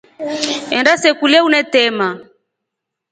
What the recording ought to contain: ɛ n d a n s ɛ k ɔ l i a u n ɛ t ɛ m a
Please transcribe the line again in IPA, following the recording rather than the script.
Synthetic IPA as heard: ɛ n d a s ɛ k u l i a u n ɛ t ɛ m a